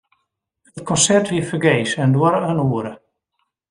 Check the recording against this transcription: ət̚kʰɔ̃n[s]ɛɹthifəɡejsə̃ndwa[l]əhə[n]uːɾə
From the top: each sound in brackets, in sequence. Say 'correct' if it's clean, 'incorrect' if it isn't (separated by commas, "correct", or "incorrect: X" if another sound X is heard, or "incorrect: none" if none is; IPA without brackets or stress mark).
correct, incorrect: ɾ, correct